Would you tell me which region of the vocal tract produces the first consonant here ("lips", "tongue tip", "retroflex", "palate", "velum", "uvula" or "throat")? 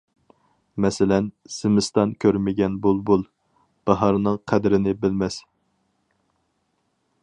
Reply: lips